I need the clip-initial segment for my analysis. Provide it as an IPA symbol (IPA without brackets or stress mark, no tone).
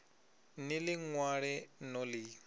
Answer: n